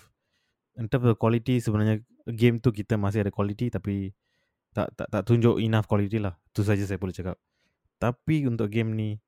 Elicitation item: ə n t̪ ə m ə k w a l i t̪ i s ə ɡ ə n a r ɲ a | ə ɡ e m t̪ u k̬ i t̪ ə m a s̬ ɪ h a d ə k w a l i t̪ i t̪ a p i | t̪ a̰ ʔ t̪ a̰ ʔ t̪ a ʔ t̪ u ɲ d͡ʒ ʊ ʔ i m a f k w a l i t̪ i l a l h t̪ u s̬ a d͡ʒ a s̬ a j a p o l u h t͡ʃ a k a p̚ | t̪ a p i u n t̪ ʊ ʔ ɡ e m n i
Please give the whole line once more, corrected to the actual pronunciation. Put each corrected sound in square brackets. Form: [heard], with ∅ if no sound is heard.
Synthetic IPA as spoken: ə n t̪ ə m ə k w a l i t̪ i s ə [b] ə n a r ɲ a | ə ɡ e m t̪ u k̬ i t̪ ə m a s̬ ɪ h a d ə k w a l i t̪ i t̪ a p i | t̪ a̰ ʔ t̪ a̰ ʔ t̪ a ʔ t̪ u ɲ d͡ʒ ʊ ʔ i [n] a f k w a l i t̪ i l a [∅] h t̪ u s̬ a d͡ʒ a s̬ a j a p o l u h t͡ʃ a k a p̚ | t̪ a p i u n t̪ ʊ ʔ ɡ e m n i